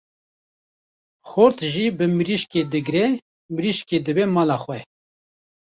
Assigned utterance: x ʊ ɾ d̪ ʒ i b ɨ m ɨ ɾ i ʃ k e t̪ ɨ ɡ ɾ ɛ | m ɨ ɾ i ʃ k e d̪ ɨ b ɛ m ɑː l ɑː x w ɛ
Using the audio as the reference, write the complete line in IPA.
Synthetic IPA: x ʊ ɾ t̪ ʒ i b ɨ m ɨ ɾ i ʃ k e d̪ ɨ ɡ ɾ ɛ | m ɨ ɾ i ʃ k e d̪ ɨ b ɛ m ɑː l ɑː x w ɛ